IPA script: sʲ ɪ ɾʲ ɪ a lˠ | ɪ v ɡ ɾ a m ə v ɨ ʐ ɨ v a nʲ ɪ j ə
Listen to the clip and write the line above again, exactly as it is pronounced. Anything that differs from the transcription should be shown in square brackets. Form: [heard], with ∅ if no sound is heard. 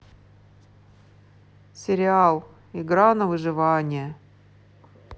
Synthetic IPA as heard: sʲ ɪ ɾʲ ɪ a lˠ | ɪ [∅] ɡ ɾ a [n] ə v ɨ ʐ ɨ v a nʲ ɪ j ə